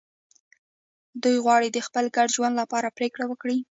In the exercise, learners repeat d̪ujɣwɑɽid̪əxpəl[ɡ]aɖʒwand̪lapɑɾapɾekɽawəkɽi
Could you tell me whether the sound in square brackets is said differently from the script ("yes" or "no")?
no